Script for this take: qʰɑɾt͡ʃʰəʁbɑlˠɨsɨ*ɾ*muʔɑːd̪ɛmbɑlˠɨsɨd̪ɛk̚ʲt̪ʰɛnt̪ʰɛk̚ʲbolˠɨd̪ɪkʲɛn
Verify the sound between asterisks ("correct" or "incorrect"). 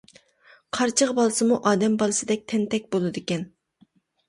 incorrect